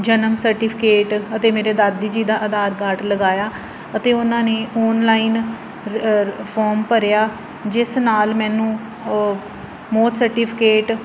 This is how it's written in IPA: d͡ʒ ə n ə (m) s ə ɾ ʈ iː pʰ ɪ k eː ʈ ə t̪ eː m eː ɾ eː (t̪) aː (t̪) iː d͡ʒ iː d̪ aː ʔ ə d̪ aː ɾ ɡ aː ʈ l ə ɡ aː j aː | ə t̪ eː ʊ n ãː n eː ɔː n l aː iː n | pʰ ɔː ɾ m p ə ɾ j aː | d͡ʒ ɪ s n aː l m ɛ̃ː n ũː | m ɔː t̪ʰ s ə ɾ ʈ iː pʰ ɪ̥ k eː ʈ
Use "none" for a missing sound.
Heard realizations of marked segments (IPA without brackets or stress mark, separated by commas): m, d̪, d̪